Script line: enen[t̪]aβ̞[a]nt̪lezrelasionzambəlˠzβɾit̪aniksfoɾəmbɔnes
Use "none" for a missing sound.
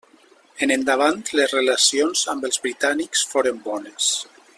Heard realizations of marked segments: d̪, a

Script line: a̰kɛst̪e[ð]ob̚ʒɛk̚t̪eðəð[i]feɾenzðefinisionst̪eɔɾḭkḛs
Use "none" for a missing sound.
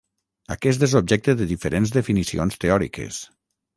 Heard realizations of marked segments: z, i

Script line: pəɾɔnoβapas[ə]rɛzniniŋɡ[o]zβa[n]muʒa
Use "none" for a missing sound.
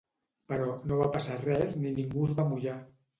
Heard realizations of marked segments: a, u, none

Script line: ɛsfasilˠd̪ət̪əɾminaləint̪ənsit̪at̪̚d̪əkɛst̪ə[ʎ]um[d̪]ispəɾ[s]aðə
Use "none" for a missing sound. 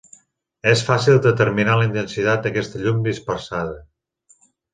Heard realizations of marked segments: ʎ, d̪, s

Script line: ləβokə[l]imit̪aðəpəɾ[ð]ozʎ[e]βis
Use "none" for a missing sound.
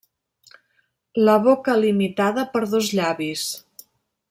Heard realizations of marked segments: l, ð, a

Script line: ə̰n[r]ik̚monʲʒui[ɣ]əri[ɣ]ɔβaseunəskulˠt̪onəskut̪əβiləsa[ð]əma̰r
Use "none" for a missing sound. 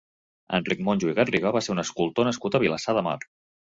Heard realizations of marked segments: r, ɣ, ɣ, ð

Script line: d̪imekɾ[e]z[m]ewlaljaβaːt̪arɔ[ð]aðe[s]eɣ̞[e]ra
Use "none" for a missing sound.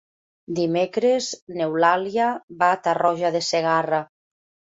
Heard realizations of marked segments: e, n, ʒ, s, a

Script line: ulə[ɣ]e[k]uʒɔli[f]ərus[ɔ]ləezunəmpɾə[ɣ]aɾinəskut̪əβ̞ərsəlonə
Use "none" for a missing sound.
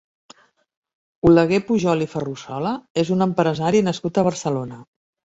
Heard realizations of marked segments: ɣ, p, f, ɔ, z

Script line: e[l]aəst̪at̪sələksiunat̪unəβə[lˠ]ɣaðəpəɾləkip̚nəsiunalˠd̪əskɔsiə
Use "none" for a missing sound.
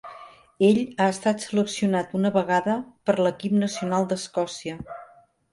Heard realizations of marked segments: ʎ, none

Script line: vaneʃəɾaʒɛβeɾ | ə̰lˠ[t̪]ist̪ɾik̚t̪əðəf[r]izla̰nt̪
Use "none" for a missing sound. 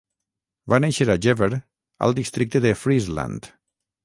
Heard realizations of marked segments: d̪, ɾ

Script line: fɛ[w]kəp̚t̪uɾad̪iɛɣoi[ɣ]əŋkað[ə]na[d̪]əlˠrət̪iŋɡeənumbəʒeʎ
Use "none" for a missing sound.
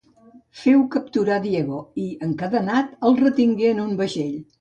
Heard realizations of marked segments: w, none, ə, t̪

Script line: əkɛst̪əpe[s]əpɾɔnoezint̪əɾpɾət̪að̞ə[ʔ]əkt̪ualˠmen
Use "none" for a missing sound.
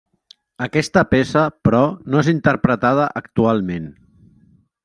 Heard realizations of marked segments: s, ʔ

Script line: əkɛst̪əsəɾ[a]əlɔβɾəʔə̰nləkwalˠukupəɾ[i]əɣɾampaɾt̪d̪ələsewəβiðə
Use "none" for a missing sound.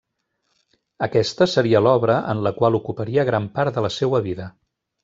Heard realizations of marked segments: i, i

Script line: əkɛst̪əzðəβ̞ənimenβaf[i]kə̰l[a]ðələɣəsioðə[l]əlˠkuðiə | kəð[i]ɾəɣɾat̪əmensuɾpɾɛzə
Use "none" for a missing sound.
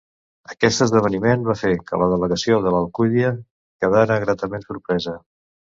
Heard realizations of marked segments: e, ə, l, a

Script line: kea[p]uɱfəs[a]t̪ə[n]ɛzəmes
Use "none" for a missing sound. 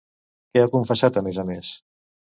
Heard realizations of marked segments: k, a, m

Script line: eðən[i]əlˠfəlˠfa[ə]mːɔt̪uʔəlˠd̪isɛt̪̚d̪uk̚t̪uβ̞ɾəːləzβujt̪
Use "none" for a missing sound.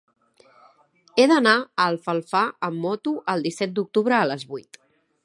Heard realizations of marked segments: a, ə

